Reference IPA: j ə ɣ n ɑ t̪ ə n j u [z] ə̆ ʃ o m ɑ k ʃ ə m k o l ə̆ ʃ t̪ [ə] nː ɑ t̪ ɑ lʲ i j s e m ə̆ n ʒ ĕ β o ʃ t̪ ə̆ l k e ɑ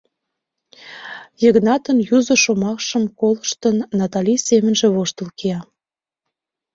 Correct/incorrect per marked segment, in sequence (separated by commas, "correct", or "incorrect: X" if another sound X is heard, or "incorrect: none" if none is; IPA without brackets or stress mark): correct, correct